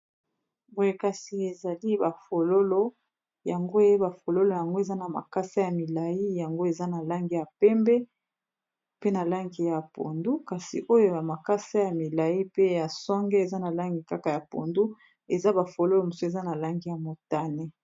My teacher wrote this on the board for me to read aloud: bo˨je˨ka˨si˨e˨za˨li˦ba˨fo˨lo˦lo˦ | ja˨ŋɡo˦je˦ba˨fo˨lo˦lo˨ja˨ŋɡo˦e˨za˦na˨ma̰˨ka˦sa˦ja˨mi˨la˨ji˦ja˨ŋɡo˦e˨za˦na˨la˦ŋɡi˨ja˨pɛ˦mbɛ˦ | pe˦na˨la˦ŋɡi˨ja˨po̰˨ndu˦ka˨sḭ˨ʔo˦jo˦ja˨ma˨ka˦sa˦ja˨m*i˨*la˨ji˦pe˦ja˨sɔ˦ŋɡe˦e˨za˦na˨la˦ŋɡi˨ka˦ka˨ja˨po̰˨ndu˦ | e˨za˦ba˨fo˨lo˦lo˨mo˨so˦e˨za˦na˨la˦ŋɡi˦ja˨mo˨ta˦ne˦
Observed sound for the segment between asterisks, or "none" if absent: i˨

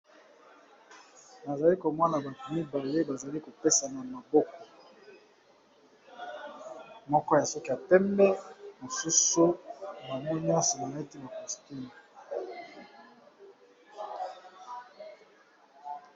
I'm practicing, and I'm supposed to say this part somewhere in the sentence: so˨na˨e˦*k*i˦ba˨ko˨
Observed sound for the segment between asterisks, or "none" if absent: t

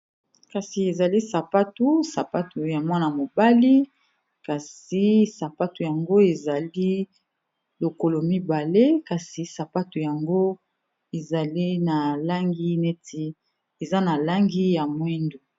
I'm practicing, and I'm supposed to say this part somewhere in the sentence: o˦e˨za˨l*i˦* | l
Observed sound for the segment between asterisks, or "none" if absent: i˦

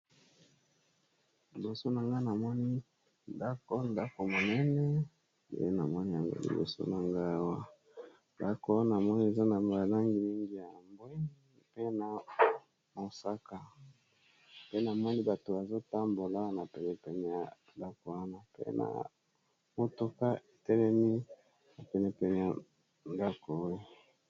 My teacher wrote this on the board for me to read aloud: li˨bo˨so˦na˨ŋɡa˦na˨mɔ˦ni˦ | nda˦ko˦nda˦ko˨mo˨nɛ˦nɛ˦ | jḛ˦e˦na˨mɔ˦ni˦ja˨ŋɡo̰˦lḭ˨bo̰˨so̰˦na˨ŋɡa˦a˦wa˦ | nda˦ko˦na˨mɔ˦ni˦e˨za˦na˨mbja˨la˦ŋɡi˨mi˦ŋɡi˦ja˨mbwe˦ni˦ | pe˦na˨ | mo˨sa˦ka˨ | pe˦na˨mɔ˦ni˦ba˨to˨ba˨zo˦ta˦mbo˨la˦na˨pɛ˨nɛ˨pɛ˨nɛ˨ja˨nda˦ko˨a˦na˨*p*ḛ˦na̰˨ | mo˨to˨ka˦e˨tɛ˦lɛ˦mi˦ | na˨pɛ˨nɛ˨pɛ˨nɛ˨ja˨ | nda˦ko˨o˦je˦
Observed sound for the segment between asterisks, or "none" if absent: p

